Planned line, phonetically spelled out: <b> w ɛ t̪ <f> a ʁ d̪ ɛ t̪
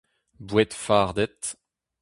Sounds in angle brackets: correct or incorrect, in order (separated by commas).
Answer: correct, correct